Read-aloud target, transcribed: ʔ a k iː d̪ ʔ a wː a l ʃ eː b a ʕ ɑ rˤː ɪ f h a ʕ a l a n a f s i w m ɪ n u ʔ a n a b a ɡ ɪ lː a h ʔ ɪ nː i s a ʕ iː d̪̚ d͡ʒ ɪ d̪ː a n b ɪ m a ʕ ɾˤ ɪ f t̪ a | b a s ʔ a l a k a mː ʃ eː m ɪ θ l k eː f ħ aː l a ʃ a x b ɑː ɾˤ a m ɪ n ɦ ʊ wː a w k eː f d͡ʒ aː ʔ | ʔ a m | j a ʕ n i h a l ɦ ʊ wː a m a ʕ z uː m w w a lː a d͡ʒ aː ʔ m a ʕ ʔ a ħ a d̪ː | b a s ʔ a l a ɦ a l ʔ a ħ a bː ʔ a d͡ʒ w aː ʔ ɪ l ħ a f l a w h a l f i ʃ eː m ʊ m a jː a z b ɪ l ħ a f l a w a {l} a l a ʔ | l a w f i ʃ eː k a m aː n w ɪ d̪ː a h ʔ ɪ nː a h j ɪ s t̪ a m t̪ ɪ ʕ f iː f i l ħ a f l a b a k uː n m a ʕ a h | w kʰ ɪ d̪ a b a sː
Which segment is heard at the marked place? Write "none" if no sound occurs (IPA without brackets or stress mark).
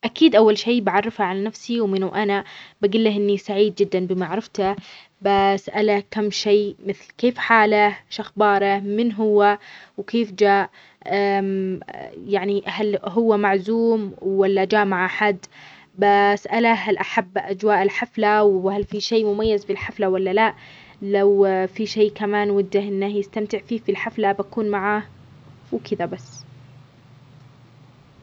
lː